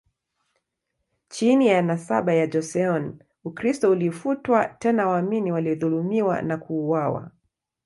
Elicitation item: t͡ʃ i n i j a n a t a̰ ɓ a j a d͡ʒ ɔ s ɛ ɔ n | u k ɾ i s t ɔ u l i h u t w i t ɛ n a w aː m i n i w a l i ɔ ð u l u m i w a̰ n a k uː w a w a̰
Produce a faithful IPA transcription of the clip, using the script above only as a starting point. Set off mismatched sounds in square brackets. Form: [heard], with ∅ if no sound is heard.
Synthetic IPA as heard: t͡ʃ i n i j a n a [s] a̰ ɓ a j a d͡ʒ ɔ s ɛ ɔ n | u k ɾ i s t ɔ u l i [f] u t w [a] t ɛ n a w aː m i n i w a l i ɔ ð u l u m i w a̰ n a k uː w a w a̰